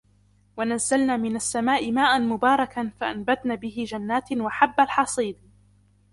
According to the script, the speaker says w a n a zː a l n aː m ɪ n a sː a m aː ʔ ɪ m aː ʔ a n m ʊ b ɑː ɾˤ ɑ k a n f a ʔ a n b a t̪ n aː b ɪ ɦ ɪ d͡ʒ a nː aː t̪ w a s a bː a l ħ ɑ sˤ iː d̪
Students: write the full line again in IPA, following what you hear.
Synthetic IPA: w a n a zː a l n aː m ɪ n a sː a m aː ʔ ɪ m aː ʔ a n m ʊ b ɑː ɾˤ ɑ k a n f a ʔ a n b a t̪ n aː b ɪ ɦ ɪ d͡ʒ a nː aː t̪ w a ħ a bː a l ħ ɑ sˤ iː d̪